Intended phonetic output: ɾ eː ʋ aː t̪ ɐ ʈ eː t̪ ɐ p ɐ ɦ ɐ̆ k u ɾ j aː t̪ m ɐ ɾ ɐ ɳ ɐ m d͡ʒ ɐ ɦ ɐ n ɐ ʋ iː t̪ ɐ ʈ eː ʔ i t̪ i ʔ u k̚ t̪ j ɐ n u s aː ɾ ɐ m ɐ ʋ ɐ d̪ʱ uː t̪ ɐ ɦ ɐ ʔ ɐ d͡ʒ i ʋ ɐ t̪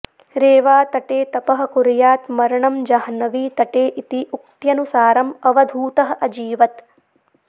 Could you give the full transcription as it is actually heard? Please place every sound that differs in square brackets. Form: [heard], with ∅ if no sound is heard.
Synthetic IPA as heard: ɾ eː ʋ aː t̪ ɐ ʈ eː t̪ ɐ p ɐ ɦ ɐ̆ k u ɾ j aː t̪ m ɐ ɾ ɐ ɳ ɐ m d͡ʒ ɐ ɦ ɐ n ɐ ʋ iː t̪ ɐ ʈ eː ʔ i t̪ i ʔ u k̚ t̪ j ɐ n u s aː ɾ ɐ m ɐ ʋ ɐ d̪ʱ uː t̪ ɐ ɦ ɐ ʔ ɐ d͡ʒ [iː] ʋ ɐ t̪